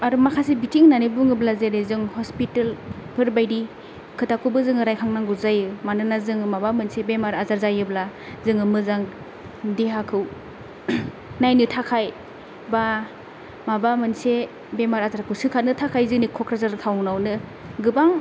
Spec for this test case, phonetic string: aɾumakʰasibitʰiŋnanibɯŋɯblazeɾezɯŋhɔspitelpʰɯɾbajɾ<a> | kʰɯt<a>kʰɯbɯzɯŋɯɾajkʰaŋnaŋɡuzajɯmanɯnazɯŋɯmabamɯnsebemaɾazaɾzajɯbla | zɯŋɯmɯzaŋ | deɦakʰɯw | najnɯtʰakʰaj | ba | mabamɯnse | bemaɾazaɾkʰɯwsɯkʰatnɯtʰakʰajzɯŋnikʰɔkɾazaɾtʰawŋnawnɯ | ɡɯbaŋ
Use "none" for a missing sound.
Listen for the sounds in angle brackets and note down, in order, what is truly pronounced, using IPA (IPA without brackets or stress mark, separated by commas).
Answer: i, a